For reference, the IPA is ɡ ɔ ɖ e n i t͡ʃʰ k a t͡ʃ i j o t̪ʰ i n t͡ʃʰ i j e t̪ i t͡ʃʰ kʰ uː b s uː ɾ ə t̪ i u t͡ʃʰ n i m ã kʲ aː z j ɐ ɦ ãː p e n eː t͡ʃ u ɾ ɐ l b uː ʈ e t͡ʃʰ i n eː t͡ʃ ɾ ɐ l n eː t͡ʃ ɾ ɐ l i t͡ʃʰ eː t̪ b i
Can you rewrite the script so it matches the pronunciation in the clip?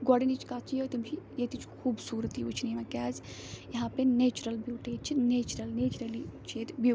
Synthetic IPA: ɡ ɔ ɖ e n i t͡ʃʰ k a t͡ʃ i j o t̪ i m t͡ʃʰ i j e t̪ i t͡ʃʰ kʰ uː b s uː ɾ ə t̪ i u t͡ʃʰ n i m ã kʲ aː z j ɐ ɦ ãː p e n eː t͡ʃ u ɾ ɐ l b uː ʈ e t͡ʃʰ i n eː t͡ʃ ɾ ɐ l n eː t͡ʃ ɾ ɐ l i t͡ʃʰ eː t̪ b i